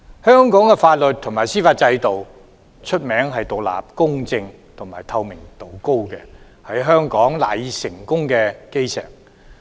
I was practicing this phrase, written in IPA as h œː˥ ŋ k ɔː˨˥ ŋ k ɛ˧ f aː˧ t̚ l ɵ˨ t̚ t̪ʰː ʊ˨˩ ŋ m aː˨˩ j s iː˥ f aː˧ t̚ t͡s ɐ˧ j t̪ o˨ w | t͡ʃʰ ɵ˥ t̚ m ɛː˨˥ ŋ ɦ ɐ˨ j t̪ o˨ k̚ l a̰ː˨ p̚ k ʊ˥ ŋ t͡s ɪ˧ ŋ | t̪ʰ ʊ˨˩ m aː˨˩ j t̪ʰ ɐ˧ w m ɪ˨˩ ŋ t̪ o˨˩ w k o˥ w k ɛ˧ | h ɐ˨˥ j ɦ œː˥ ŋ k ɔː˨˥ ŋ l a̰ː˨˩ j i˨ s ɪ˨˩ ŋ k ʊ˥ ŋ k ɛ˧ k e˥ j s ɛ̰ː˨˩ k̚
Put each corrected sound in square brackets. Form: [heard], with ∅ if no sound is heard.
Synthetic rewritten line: h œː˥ ŋ k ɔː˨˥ ŋ k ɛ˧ f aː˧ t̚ l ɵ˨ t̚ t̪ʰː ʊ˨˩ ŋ m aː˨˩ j s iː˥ f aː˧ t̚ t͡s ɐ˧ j t̪ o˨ w | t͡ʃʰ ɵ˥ t̚ m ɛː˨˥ ŋ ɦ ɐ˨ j t̪ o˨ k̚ l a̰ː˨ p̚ k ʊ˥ ŋ t͡s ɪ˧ ŋ | t̪ʰ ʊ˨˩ m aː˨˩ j t̪ʰ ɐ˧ w m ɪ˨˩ ŋ t̪ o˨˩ w k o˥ w k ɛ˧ | h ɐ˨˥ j ɦ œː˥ ŋ k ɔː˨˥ ŋ l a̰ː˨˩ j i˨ s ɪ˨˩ ŋ k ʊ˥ ŋ k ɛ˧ k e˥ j s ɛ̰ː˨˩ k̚

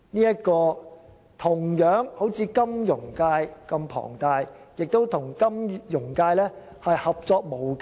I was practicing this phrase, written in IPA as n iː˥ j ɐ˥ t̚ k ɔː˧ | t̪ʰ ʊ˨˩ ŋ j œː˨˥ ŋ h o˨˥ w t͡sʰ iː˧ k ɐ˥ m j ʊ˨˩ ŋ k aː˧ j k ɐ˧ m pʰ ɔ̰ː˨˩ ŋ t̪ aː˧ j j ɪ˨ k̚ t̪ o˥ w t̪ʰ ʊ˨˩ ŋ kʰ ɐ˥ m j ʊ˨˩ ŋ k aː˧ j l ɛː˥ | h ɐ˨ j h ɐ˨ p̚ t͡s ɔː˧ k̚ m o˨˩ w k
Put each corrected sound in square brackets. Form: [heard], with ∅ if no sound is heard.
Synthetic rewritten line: n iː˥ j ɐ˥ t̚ k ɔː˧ | t̪ʰ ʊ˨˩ ŋ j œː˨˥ ŋ h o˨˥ w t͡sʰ iː˧ k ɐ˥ m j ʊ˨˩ ŋ k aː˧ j k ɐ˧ m pʰ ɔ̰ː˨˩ ŋ t̪ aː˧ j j ɪ˨ k̚ t̪ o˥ w t̪ʰ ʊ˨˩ ŋ [k] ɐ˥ m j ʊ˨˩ ŋ k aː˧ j l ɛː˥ | h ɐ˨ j h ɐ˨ p̚ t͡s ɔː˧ k̚ m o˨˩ w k

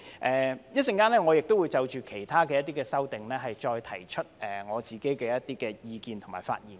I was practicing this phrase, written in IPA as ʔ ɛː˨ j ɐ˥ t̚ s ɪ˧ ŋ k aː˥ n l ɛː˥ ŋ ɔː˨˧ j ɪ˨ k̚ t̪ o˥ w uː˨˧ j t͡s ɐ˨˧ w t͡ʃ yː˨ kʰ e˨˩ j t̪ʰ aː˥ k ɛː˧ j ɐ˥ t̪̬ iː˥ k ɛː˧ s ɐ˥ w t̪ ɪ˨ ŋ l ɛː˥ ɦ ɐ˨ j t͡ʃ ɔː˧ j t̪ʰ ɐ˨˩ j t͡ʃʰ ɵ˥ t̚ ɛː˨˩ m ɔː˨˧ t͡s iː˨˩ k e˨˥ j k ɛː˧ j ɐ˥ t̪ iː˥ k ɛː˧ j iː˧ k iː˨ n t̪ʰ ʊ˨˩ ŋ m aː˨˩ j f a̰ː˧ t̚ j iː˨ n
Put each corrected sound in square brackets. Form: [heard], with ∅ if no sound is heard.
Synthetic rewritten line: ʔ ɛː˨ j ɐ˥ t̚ s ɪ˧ ŋ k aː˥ n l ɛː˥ ŋ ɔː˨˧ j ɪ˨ k̚ t̪ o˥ w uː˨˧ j t͡s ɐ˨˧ w t͡ʃ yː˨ kʰ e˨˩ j t̪ʰ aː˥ k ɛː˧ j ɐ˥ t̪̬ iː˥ k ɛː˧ s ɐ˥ w t̪ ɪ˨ ŋ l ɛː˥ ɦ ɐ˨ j t͡ʃ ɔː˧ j t̪ʰ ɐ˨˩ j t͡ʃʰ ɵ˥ t̚ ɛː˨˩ [ŋ] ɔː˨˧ t͡s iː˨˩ k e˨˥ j k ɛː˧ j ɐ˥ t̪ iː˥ k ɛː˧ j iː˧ k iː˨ n t̪ʰ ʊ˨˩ ŋ m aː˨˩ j f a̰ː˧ t̚ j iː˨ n

